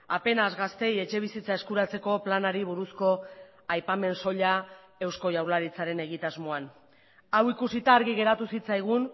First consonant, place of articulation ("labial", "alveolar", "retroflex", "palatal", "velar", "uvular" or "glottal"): labial